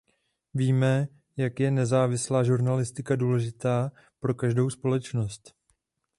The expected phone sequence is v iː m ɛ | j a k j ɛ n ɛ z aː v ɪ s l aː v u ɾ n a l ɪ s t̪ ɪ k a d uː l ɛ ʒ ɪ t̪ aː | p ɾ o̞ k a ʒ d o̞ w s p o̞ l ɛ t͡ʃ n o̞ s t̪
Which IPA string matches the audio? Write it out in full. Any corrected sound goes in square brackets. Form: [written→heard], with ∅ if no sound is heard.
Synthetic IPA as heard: v iː m ɛ | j a k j ɛ n ɛ z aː v ɪ s l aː [v→ʒ] u ɾ n a l ɪ s t̪ ɪ k a d uː l ɛ ʒ ɪ t̪ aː | p ɾ o̞ k a ʒ d o̞ w s p o̞ l ɛ t͡ʃ n o̞ s t̪

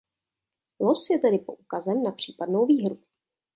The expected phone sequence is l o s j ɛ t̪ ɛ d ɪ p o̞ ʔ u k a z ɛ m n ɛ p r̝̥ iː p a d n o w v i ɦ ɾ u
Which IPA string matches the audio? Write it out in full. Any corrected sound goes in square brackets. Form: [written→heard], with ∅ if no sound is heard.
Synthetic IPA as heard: l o s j ɛ t̪ ɛ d ɪ p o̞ ʔ u k a z ɛ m n [ɛ→a] p r̝̥ iː p a d n o w v [i→iː] ɦ ɾ u

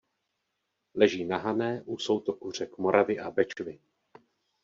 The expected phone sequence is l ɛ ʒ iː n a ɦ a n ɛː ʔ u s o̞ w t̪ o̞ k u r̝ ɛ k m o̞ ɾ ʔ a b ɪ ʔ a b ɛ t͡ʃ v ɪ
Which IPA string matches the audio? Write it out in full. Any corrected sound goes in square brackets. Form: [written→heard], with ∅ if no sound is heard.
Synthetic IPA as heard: l ɛ ʒ iː n a ɦ a n ɛː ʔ u s o̞ w t̪ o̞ k u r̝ ɛ k m o̞ ɾ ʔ a [b→v] ɪ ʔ a b ɛ t͡ʃ v ɪ

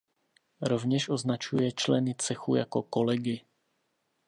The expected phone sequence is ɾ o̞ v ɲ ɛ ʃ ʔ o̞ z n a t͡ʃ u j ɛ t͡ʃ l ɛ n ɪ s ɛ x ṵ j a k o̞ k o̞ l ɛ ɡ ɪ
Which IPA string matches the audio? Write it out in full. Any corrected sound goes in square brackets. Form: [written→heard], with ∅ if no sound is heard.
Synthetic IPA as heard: ɾ o̞ v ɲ ɛ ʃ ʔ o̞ z n a t͡ʃ u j ɛ t͡ʃ l ɛ n ɪ [s→t͡s] ɛ x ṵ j a k o̞ k o̞ l ɛ ɡ ɪ

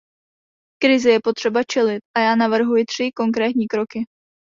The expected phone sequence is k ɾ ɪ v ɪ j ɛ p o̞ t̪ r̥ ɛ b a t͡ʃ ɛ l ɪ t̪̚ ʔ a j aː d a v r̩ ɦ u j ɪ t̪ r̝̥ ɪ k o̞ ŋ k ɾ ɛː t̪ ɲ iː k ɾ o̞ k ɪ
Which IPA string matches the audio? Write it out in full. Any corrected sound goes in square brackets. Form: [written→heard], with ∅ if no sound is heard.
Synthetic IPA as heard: k ɾ ɪ [v→z] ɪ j ɛ p o̞ t̪ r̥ ɛ b a t͡ʃ ɛ l ɪ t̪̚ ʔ a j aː [d→n] a v r̩ ɦ u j ɪ t̪ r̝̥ ɪ k o̞ ŋ k ɾ ɛː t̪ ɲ iː k ɾ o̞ k ɪ

